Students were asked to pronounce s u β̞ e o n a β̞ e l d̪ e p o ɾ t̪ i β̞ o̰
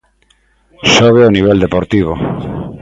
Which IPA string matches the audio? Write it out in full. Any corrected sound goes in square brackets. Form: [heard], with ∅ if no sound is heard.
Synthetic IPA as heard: s [o] β̞ e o n [i] β̞ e l d̪ e p o ɾ t̪ i β̞ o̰